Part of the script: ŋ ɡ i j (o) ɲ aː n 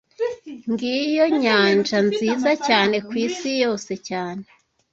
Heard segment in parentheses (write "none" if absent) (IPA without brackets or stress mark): o